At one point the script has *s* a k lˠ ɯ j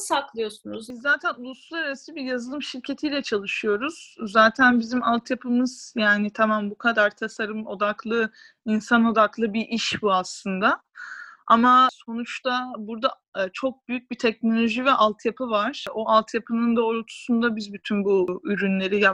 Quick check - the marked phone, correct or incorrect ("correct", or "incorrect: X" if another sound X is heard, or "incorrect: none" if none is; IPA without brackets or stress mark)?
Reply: correct